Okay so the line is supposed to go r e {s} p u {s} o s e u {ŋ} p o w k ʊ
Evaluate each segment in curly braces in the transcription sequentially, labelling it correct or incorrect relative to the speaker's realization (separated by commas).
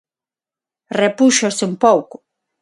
incorrect, incorrect, incorrect